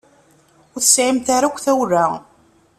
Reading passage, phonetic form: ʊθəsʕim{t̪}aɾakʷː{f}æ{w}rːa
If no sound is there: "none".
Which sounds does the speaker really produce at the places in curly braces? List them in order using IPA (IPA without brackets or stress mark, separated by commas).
t̪, θ, w